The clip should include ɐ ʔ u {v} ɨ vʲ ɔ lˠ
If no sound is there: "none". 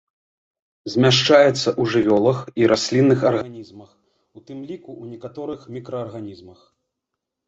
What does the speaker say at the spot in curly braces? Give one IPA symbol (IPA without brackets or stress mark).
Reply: ʐ